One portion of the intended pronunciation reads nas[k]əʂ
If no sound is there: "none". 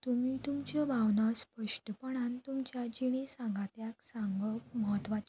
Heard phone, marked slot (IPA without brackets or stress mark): p